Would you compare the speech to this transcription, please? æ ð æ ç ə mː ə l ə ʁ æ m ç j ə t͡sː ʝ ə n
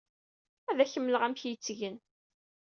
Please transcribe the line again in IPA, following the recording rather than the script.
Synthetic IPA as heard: æ ð æ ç ə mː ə l ə ʁ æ m ç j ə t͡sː ʝ ə n